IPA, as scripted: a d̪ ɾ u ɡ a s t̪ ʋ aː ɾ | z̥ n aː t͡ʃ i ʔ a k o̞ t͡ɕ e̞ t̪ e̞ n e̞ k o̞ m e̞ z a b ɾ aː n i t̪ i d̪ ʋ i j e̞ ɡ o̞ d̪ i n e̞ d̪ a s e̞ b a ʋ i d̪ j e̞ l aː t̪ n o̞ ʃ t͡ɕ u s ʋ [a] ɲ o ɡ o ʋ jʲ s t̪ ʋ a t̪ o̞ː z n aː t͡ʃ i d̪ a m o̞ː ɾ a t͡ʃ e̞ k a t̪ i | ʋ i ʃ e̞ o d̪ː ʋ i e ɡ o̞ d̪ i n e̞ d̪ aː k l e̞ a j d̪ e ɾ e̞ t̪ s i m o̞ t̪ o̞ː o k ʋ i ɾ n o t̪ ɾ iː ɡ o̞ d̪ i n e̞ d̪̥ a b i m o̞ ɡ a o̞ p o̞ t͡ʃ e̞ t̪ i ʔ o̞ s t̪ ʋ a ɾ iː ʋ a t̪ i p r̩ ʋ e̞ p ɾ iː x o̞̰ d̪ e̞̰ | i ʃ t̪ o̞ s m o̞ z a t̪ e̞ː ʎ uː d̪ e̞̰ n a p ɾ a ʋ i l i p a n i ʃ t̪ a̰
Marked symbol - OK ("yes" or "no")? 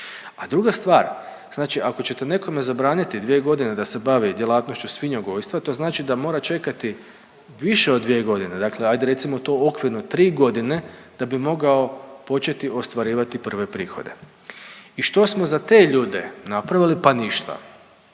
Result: no